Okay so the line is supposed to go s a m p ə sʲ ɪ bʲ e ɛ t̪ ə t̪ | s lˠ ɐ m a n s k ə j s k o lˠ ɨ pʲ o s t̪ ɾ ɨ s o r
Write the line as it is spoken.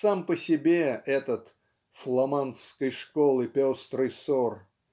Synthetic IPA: s a m p ə sʲ ɪ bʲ e ɛ t̪ ə t̪ | f lˠ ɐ m a n s k ə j ʂ k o lˠ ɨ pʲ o s t̪ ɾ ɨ s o r